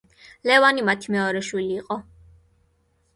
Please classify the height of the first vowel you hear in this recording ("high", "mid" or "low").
mid